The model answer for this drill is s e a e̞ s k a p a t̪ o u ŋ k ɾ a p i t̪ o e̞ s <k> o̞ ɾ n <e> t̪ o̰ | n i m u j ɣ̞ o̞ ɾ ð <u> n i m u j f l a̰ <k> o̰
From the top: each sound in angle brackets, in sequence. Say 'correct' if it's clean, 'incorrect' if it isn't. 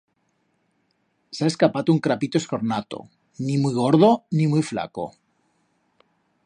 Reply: correct, incorrect: a, incorrect: o, correct

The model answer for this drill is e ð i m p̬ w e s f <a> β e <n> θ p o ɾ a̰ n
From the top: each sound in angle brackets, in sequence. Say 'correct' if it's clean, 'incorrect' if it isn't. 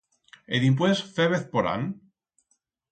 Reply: incorrect: e, incorrect: none

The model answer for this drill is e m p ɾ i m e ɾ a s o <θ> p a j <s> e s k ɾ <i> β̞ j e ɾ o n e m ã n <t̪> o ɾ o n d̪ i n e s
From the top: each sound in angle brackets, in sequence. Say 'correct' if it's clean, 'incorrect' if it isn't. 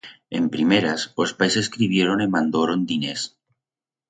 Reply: incorrect: s, correct, correct, incorrect: d̪

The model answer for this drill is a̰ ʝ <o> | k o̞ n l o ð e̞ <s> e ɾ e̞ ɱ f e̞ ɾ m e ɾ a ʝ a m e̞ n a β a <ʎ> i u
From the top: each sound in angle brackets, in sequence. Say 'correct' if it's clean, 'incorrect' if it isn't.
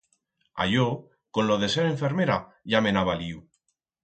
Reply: correct, correct, incorrect: l

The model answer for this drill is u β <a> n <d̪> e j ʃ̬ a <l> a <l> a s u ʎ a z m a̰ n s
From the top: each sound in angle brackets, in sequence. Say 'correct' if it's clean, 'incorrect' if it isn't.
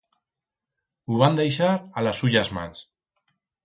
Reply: correct, correct, incorrect: ɾ, correct

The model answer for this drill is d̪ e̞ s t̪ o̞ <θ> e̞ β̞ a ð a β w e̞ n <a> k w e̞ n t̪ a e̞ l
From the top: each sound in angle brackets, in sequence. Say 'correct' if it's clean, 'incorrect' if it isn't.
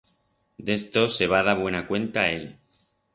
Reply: incorrect: s, correct

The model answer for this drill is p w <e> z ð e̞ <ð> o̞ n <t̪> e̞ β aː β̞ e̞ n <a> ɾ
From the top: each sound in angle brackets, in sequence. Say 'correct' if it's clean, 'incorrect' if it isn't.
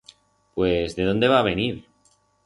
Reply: correct, correct, incorrect: d̪, incorrect: i

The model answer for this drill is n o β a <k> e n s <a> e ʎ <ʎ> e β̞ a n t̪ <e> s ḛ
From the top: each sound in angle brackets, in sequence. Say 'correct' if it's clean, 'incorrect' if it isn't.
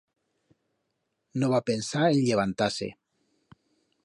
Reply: incorrect: p, correct, correct, incorrect: a

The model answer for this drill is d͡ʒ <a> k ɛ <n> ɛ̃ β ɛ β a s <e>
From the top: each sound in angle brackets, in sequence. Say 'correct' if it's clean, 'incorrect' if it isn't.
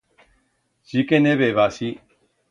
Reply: incorrect: i, correct, incorrect: i

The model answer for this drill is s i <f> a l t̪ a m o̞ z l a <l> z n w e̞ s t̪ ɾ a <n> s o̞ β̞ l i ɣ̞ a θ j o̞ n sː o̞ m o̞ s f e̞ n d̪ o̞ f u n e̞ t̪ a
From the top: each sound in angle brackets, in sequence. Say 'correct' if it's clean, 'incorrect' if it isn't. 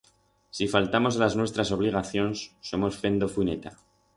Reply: correct, incorrect: none, incorrect: none

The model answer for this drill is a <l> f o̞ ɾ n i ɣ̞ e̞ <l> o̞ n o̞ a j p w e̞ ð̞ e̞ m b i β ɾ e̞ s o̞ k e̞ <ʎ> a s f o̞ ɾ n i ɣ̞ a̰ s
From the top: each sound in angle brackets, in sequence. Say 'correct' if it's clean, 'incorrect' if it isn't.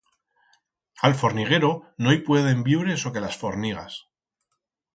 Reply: correct, incorrect: ɾ, incorrect: l

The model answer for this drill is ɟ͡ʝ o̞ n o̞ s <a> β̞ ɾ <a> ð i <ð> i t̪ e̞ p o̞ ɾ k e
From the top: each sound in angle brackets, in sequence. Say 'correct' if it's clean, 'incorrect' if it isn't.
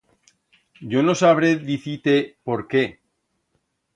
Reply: correct, incorrect: e, incorrect: θ

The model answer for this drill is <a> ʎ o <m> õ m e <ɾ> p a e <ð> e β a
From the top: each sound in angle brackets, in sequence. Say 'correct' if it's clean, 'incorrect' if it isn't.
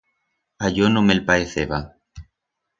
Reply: correct, incorrect: n, incorrect: l, incorrect: θ

